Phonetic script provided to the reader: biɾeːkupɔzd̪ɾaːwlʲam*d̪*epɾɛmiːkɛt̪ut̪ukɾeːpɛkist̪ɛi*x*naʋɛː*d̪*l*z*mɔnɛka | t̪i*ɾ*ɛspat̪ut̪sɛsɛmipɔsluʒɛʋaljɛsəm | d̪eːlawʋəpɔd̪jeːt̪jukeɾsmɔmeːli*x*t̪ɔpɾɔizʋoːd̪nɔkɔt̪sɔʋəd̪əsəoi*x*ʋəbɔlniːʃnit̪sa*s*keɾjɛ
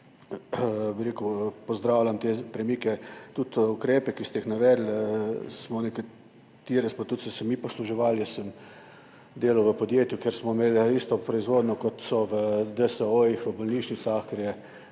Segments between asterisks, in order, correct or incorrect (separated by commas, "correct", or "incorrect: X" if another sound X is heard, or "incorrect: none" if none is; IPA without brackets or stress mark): incorrect: t̪, correct, correct, incorrect: s, correct, incorrect: s, correct, incorrect: x